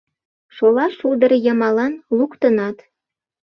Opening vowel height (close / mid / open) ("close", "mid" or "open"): mid